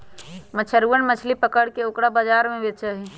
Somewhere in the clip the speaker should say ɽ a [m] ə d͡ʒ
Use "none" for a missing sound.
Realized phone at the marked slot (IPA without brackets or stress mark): b